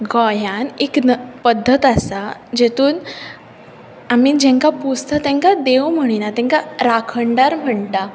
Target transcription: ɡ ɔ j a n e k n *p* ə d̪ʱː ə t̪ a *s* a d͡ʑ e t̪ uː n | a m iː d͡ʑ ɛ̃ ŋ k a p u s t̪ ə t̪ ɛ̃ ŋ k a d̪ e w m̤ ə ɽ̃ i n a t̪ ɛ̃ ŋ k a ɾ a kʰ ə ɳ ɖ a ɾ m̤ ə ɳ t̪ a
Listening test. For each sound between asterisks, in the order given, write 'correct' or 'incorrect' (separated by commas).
correct, correct